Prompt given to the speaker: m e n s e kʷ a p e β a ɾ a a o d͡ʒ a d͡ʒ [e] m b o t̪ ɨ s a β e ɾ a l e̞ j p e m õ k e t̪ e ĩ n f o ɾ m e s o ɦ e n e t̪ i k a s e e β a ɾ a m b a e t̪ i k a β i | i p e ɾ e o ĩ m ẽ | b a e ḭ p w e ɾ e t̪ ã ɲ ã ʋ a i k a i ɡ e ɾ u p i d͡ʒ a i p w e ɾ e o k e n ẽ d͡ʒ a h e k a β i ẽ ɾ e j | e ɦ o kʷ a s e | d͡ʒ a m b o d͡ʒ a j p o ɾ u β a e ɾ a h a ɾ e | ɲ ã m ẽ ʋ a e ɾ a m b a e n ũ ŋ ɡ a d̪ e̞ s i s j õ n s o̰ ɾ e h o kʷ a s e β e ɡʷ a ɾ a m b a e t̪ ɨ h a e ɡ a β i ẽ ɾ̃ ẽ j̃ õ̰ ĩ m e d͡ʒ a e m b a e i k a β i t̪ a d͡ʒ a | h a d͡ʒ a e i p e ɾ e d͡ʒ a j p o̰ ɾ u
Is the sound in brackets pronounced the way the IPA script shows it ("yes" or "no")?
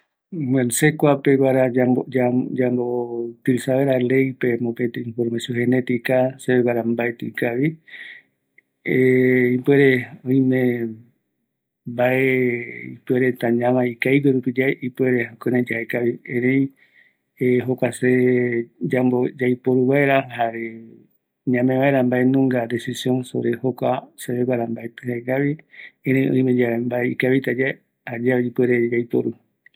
no